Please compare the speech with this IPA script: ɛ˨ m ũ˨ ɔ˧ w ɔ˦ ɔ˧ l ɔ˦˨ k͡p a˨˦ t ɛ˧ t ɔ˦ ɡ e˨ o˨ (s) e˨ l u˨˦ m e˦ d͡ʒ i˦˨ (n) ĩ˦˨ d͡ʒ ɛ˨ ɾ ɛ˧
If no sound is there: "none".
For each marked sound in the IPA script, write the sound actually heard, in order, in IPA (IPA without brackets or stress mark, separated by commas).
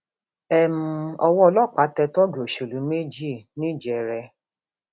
ʃ, n